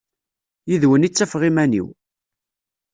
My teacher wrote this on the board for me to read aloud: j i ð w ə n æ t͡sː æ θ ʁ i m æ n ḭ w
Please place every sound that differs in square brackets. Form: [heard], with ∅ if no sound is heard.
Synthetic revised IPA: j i ð w ə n [i] t͡sː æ [f] ʁ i m æ n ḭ w